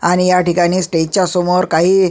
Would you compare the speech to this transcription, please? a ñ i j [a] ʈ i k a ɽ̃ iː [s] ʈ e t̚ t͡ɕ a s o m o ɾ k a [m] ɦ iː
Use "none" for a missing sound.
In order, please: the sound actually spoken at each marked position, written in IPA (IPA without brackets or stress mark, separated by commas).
a, s, none